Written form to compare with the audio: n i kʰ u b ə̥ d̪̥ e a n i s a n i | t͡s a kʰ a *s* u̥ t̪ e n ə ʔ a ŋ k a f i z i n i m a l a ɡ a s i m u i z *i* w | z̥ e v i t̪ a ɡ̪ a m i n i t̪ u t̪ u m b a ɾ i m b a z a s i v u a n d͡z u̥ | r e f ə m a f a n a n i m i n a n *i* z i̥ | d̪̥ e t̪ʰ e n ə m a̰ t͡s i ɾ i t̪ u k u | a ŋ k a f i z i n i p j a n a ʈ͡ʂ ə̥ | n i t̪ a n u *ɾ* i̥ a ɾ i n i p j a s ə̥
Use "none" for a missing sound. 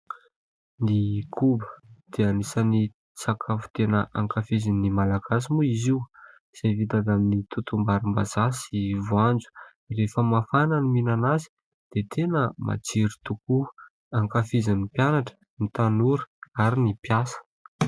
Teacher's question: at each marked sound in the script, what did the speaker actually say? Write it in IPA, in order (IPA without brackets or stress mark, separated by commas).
f, i, a, ɾ